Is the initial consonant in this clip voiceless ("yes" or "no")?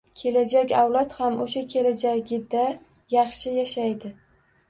yes